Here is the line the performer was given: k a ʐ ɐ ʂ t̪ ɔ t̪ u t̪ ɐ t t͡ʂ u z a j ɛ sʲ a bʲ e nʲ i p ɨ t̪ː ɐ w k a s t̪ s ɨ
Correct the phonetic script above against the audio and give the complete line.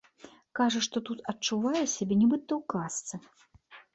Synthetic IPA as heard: k a ʐ ɐ ʂ t̪ ɔ t̪ u t̪ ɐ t t͡ʂ u v a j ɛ sʲ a bʲ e nʲ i b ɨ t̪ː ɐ w k a s t̪ s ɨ